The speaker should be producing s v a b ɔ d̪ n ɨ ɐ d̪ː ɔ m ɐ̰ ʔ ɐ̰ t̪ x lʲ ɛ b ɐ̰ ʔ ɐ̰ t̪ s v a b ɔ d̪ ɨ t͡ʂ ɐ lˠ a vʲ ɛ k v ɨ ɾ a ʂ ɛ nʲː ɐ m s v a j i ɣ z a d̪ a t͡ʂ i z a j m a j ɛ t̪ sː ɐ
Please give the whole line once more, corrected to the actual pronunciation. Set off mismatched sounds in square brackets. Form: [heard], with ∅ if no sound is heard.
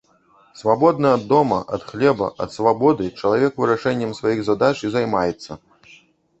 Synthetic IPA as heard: s v a b ɔ d̪ n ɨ ɐ d̪ː ɔ m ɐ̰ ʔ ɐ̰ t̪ x lʲ ɛ b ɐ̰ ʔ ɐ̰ t̪ s v a b ɔ d̪ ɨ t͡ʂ ɐ lˠ a vʲ ɛ k v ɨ ɾ a ʂ ɛ nʲː ɐ m s v a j i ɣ z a d̪ a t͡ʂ i z a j m a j ɛ t̪ sː ɐ

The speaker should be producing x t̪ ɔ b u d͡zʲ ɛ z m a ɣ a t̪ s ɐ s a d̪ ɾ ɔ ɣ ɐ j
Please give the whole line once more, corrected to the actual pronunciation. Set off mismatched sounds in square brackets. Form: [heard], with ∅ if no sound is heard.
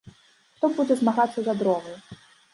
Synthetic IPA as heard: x t̪ ɔ b u d͡zʲ ɛ z m a ɣ a t̪ [sː] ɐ [z] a d̪ ɾ ɔ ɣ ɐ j

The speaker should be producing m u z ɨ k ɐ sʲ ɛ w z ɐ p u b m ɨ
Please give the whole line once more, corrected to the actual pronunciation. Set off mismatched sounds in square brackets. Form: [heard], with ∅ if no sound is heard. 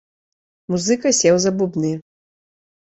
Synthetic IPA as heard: m u z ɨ k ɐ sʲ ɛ w z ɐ [b] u b [n] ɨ

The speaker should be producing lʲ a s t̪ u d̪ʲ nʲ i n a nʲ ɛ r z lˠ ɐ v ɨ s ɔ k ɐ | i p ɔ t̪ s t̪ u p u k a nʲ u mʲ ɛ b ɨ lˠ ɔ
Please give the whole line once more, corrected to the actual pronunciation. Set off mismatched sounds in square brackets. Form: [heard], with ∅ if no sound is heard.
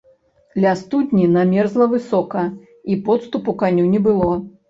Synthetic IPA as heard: lʲ a s t̪ u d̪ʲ nʲ i n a [mʲ] ɛ r z lˠ ɐ v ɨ s ɔ k ɐ | i p ɔ t̪ s t̪ u p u k a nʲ u [nʲ] ɛ b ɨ lˠ ɔ

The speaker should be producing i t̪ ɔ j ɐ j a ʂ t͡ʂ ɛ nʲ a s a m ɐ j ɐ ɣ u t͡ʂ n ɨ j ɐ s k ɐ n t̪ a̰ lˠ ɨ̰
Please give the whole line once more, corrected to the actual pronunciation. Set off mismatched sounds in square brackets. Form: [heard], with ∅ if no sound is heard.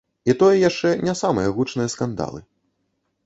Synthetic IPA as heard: i t̪ ɔ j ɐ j a ʂ t͡ʂ ɛ nʲ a s a m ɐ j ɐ ɣ u t͡ʂ n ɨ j ɐ s k [a] n [d̪] a̰ lˠ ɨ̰

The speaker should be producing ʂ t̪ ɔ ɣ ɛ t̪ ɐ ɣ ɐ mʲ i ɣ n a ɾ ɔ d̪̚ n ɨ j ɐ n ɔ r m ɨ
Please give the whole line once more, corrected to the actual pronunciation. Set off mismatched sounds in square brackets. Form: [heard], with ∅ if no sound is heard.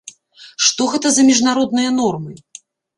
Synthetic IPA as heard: ʂ t̪ ɔ ɣ ɛ t̪ ɐ [z] ɐ mʲ i [ʐ] n a ɾ ɔ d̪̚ n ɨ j ɐ n ɔ r m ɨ

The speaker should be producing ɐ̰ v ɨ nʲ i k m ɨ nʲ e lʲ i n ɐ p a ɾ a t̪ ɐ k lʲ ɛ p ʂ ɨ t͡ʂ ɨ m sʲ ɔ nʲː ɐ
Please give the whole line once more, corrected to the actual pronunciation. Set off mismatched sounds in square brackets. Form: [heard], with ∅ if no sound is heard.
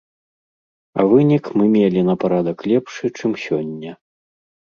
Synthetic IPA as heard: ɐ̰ v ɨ nʲ i k m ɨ [mʲ] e lʲ i n ɐ p a ɾ a [d̪] ɐ k lʲ ɛ p ʂ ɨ t͡ʂ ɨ m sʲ ɔ nʲː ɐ

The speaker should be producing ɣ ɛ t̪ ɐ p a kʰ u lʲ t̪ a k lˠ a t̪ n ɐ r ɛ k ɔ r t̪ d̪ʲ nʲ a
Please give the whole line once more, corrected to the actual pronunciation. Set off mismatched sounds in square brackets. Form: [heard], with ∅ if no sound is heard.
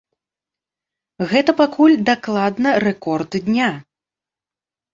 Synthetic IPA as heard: ɣ ɛ t̪ ɐ p a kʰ u lʲ [d̪] a k lˠ a [d̪] n ɐ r ɛ k ɔ r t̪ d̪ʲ nʲ a

